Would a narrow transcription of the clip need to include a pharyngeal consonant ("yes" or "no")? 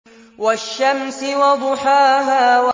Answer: yes